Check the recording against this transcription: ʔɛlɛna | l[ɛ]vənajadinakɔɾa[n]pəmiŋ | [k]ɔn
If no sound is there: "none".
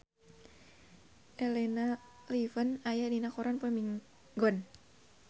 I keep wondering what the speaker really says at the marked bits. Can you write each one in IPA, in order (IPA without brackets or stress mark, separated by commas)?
i, n, ɡ